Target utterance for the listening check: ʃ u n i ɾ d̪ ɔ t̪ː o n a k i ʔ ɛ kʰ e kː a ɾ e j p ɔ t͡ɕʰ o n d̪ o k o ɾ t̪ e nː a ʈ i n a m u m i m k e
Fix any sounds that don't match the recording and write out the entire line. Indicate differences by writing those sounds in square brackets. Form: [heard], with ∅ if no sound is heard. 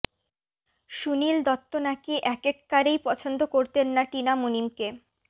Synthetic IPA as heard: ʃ u n i [l] d̪ ɔ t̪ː o n a k i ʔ ɛ [k] e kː a ɾ e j p ɔ t͡ɕʰ o n d̪ o k o ɾ t̪ e nː a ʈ i n a m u [n] i m k e